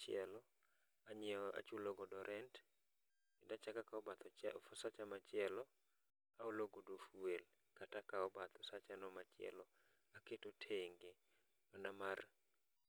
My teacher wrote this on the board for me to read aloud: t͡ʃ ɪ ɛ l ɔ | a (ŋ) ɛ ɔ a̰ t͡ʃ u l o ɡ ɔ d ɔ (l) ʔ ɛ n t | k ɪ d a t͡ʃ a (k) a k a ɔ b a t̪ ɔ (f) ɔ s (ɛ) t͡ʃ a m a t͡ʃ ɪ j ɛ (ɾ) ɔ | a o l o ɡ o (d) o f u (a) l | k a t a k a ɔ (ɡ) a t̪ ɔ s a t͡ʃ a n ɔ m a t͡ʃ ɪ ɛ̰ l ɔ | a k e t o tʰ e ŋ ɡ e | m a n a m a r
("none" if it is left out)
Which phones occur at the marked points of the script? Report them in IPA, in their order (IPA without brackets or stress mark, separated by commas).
ɲ, ɾ, k, f, a, l, d, e, b